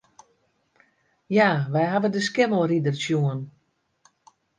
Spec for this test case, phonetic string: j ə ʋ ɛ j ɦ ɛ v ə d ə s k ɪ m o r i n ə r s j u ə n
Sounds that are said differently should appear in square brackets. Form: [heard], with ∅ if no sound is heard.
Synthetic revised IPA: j [a] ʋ ɛ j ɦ [a] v ə d ə s k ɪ m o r i [d] ə r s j u ə n